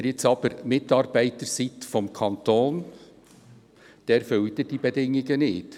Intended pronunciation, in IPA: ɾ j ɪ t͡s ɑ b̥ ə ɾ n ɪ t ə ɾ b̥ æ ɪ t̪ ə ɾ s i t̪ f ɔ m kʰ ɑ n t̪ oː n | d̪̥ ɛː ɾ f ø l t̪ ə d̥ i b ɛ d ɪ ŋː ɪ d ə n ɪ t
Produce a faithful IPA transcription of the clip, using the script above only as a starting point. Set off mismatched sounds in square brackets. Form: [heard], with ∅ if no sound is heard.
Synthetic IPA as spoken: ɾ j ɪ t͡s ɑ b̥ ə ɾ [m] ɪ t [ɑ] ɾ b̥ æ ɪ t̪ ə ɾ s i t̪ f ɔ m kʰ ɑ n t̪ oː n | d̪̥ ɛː ɾ f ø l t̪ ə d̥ i b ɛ d ɪ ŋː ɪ [ɡ] ə n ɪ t